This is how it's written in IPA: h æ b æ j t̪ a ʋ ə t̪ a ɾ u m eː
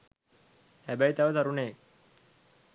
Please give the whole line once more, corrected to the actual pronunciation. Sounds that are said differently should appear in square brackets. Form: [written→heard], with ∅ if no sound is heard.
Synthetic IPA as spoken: h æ b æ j t̪ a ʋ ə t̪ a ɾ u [m→n] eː

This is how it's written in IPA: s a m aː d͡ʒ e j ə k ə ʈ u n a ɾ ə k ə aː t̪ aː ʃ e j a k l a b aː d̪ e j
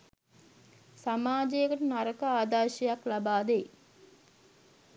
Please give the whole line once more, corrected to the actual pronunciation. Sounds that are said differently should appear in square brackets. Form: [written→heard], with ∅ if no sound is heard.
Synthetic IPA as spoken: s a m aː d͡ʒ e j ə k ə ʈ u n a ɾ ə k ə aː [t̪→d̪] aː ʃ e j a k l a b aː d̪ e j

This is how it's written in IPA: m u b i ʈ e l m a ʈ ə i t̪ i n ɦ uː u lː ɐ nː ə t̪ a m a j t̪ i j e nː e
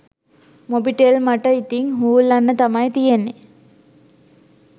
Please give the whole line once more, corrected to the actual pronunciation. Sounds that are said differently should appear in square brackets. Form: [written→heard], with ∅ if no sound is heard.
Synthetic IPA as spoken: m [u→o] b i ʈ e l m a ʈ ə i t̪ i [n→ŋ] ɦ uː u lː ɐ nː ə t̪ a m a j t̪ i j e nː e

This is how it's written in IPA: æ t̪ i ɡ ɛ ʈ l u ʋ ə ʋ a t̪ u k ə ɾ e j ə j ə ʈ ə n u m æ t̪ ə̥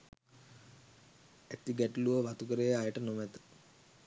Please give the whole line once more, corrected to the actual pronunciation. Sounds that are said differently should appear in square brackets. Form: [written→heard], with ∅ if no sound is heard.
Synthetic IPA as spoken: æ t̪ i ɡ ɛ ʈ l u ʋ ə ʋ a t̪ u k ə ɾ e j [ə→a] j ə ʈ ə n [u→o] m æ t̪ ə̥

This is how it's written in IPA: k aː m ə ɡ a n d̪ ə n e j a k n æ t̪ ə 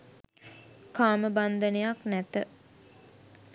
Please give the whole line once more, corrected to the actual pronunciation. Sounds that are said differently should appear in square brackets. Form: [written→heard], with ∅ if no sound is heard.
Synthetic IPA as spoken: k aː m ə [ɡ→b] a n d̪ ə n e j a k n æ t̪ ə

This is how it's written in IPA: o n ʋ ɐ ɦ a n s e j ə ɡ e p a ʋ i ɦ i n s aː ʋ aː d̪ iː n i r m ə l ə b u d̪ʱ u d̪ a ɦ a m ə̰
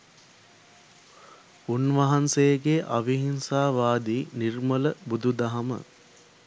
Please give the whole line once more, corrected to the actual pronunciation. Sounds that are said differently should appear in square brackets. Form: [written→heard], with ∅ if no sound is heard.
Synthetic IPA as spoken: [o→u] n ʋ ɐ ɦ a n s e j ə ɡ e [p→ʔ] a ʋ i ɦ i n s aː ʋ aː d̪ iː n i r m ə l ə b u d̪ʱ u d̪ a ɦ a m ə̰

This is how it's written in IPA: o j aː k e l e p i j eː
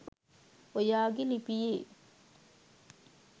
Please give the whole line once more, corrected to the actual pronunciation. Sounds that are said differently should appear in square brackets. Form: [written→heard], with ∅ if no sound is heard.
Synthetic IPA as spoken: o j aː [k→ɡ] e l [e→i] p i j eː

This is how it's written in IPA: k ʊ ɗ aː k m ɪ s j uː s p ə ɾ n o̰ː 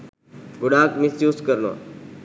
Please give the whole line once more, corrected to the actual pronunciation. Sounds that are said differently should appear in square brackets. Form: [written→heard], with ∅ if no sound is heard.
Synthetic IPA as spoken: [k→ɡ] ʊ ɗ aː k m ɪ s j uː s [p→k] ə ɾ n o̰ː

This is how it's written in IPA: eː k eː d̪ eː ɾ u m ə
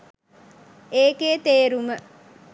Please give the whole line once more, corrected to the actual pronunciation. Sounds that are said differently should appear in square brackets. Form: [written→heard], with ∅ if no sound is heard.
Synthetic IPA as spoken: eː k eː [d̪→t̪] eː ɾ u m ə

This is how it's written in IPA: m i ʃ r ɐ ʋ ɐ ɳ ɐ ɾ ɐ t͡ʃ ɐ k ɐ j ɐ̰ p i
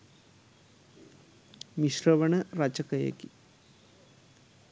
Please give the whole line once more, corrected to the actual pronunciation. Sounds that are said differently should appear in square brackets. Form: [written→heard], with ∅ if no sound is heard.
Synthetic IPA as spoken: m i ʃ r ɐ ʋ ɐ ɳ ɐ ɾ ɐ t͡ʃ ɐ k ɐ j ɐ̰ [p→k] i

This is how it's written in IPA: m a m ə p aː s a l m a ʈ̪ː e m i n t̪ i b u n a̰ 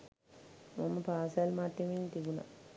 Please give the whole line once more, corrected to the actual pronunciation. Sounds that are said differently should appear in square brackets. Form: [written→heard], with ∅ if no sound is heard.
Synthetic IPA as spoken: m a m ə p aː s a l m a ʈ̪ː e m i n t̪ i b u n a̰

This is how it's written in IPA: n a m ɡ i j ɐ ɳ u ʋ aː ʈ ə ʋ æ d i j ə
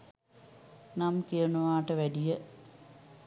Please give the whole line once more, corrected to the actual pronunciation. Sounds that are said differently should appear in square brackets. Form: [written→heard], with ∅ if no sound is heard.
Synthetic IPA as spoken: n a m [ɡ→k] i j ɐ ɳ u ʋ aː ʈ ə ʋ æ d i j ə

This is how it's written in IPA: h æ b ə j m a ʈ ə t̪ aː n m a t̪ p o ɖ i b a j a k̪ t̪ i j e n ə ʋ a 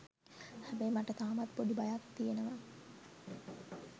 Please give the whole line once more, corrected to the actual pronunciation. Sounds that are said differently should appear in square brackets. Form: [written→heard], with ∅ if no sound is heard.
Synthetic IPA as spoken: h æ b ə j m a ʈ ə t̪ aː [n→∅] m a t̪ p o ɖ i b a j a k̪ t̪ i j e n ə ʋ a

